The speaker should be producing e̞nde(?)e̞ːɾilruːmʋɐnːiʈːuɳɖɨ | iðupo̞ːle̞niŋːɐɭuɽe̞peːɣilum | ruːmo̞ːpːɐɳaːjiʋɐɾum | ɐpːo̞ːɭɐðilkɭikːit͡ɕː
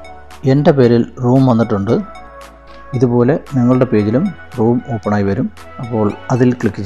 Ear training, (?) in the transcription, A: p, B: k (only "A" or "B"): A